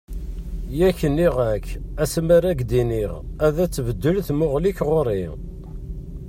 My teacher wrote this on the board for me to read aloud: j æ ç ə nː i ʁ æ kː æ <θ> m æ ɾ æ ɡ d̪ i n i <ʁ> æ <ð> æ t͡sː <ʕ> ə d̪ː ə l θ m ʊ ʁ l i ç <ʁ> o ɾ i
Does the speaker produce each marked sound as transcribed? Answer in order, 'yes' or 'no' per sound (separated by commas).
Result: no, yes, yes, no, yes